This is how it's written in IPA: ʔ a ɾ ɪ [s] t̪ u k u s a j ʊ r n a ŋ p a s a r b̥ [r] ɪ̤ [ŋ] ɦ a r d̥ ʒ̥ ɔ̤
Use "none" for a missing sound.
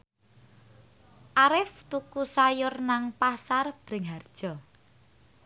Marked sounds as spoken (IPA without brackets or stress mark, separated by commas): f, ɾ, ŋ